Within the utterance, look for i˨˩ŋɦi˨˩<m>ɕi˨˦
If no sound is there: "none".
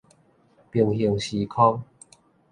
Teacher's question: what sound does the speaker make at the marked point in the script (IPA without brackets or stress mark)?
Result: ŋ